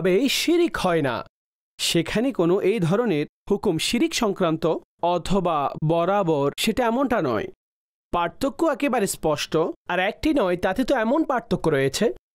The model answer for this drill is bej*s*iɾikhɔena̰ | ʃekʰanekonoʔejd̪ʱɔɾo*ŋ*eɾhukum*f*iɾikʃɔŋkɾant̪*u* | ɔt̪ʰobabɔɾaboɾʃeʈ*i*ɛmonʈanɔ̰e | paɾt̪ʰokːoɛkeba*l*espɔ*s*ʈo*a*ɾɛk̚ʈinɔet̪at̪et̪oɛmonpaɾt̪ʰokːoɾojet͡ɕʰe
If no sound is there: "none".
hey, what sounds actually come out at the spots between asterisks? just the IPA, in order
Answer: ʃ, n, ʃ, o, a, ɾ, ʃ, a

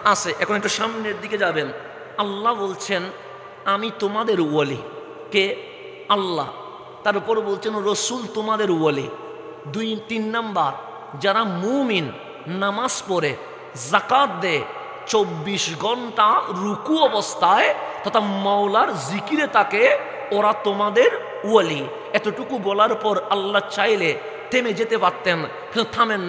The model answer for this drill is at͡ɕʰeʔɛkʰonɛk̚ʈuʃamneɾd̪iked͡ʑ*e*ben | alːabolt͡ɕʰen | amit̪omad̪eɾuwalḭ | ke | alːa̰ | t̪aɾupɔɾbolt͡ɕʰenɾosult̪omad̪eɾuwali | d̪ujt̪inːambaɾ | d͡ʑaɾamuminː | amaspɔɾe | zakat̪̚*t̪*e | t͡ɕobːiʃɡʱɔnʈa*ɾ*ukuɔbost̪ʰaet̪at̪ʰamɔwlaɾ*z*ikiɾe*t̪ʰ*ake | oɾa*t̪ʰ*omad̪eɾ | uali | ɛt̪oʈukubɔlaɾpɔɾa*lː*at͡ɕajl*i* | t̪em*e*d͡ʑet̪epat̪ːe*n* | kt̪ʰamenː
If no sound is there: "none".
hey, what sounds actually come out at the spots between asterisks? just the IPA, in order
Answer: a, d̪, ɾ, z, t̪, t̪, lː, e, e, n

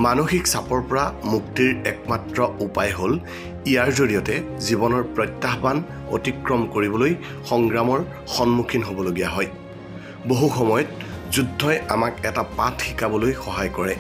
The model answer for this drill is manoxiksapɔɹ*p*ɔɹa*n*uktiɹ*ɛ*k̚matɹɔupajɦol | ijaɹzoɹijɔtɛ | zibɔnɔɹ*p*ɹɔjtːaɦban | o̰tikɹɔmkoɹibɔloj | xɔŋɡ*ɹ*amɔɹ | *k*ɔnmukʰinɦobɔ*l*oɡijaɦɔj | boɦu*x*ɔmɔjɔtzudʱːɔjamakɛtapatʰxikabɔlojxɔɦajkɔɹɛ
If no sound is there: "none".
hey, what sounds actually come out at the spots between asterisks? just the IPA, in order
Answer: p, m, ɛ, p, ɹ, x, l, x

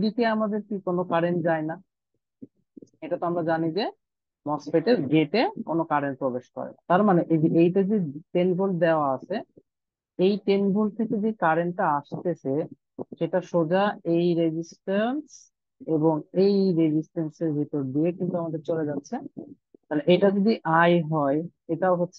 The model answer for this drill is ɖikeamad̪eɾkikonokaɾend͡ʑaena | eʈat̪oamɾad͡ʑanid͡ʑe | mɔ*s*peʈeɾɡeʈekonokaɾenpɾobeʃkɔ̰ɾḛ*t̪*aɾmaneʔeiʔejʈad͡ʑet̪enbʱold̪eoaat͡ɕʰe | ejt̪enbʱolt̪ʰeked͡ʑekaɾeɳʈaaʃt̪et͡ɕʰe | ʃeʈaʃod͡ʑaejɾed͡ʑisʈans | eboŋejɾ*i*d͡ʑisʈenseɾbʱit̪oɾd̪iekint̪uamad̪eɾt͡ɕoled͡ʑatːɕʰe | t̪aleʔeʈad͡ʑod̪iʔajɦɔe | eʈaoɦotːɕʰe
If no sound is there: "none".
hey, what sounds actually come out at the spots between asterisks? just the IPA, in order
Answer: s, t̪, e

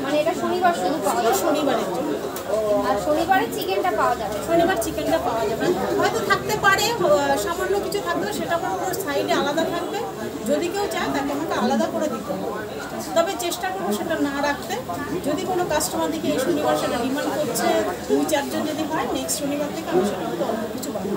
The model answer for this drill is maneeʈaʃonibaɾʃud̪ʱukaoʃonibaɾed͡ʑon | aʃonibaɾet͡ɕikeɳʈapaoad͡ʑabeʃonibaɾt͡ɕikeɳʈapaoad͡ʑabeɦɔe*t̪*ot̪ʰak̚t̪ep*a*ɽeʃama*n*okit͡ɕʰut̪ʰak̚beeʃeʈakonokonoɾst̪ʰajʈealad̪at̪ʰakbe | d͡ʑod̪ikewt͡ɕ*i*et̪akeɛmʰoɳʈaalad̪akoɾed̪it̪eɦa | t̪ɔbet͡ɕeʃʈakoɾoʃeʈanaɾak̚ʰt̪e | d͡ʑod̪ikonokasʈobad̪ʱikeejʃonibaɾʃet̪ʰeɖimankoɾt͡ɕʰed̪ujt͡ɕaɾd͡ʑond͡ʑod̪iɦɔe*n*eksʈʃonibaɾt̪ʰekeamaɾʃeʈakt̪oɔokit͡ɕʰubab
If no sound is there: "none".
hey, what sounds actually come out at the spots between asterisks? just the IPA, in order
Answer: t̪, a, nː, a, n

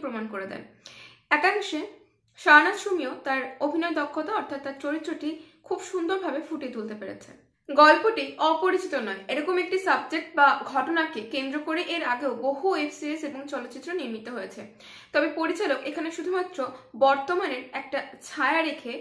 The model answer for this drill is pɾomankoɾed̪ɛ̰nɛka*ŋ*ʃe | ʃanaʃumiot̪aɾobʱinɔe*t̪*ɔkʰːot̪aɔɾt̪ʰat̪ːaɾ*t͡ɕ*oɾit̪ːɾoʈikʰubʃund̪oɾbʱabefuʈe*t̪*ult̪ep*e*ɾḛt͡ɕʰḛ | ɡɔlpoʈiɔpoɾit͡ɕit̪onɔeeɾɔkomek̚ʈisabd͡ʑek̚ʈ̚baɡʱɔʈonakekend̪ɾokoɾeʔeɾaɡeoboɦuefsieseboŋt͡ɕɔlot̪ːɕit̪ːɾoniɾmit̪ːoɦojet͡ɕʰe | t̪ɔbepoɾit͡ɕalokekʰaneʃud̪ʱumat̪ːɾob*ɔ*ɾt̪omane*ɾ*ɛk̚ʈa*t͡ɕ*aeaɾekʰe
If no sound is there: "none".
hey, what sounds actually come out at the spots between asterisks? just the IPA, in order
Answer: ŋ, d̪, t͡ɕ, t̪, e, ɔ, ɾ, t͡ɕʰ

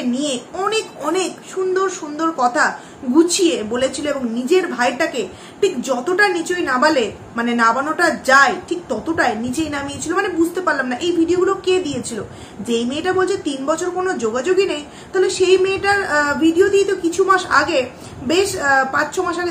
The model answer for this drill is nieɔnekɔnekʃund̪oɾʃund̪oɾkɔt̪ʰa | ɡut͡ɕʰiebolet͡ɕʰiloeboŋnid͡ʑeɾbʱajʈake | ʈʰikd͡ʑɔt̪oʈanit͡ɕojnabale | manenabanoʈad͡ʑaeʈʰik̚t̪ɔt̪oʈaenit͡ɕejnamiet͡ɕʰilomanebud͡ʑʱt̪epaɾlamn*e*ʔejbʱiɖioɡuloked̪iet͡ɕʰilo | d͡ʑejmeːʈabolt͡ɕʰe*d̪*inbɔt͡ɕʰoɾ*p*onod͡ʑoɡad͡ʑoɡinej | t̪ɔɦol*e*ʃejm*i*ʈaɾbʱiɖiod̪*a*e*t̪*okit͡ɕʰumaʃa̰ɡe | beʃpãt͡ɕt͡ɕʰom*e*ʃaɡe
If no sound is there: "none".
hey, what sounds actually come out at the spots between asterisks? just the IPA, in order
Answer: a, t̪, k, e, e, i, t̪, a

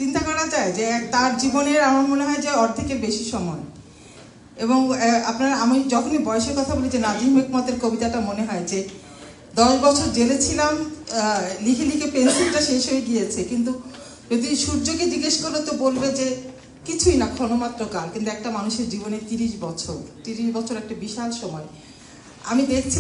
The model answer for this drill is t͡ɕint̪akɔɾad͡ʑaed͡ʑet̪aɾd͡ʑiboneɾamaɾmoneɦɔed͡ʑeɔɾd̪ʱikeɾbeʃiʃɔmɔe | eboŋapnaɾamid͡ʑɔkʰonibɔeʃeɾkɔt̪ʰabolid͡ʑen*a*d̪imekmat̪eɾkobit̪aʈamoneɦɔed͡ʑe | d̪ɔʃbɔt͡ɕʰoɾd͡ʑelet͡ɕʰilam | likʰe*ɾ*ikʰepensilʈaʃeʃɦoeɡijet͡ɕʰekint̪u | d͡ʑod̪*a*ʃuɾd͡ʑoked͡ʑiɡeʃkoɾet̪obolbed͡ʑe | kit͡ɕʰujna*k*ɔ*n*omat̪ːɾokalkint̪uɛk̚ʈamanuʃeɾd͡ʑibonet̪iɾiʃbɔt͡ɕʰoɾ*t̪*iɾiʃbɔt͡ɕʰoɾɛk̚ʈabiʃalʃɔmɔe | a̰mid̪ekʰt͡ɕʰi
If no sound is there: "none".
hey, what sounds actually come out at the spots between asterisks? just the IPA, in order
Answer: a, l, i, kʰ, n, t̪

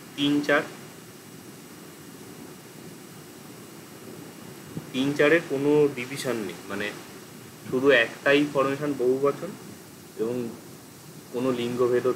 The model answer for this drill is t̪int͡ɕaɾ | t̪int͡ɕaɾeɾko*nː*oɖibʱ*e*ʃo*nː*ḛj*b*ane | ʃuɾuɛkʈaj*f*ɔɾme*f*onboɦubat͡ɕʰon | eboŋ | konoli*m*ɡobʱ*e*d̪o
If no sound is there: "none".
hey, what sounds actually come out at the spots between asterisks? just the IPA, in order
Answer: n, i, nː, m, f, ʃ, ŋ, e

